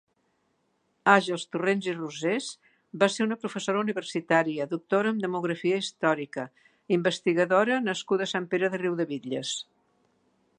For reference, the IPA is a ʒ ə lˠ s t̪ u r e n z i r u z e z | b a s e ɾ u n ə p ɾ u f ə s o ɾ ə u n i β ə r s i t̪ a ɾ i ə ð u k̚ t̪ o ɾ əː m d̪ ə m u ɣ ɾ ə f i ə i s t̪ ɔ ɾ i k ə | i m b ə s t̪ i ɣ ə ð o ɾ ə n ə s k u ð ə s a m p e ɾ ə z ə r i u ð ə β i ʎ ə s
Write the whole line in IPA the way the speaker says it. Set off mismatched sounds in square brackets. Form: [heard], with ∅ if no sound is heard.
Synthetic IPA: a ʒ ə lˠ s t̪ u r e n z i r u z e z | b a s e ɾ u n ə p ɾ u f ə s o ɾ ə u n i β ə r s i t̪ a ɾ i ə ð u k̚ t̪ o ɾ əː m d̪ ə m u ɣ ɾ ə f i ə i s t̪ ɔ ɾ i k ə | i m b ə s t̪ i ɣ ə ð o ɾ ə n ə s k u ð ə s a m p e ɾ ə [ð] ə r i [w] ð ə β i ʎ ə s